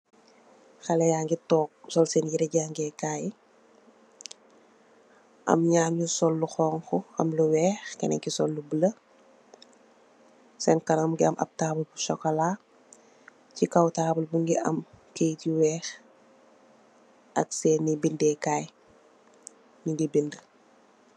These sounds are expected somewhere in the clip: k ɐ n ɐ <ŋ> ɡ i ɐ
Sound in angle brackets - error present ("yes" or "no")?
yes